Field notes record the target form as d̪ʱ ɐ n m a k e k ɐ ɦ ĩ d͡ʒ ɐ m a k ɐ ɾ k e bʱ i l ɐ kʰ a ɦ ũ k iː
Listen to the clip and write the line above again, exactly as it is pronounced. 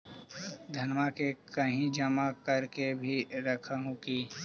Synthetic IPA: d̪ʱ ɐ n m a k e k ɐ ɦ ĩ d͡ʒ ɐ m a k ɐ ɾ k e bʱ i ɾ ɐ kʰ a ɦ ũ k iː